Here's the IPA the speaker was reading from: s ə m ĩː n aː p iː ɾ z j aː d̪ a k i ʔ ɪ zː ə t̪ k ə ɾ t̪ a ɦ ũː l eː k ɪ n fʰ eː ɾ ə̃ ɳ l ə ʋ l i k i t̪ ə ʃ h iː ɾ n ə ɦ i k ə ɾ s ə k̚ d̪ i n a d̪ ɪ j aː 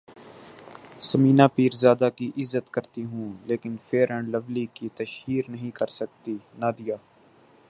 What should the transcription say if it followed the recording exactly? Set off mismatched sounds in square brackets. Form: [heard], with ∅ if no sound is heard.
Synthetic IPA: s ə m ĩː n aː p iː ɾ z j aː d̪ a k i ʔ ɪ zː ə t̪ k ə ɾ t̪ [i] ɦ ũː l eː k ɪ n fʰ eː ɾ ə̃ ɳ l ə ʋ l i k i t̪ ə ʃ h iː ɾ n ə ɦ [ĩ] k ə ɾ s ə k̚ [t̪] i n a d̪ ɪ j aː